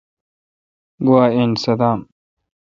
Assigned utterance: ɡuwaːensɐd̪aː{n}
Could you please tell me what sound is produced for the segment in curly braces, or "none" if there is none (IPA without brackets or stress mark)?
m